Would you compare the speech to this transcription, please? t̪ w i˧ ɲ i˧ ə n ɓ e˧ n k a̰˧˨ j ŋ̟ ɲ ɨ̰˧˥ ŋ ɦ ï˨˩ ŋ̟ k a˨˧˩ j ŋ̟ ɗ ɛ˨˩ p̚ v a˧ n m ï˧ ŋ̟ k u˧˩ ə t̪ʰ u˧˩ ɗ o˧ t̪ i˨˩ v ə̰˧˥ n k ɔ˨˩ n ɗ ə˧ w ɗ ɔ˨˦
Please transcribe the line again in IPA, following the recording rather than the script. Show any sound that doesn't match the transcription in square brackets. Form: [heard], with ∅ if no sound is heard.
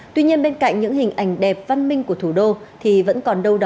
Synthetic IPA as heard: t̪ w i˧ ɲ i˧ ə n ɓ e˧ n k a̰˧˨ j ŋ̟ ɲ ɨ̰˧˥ ŋ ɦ ï˨˩ ŋ̟ [ʔ] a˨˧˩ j ŋ̟ ɗ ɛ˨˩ p̚ v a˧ n m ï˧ ŋ̟ k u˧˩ ə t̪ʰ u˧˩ ɗ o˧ [t̪ʰ] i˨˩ v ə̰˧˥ n k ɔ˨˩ n ɗ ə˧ w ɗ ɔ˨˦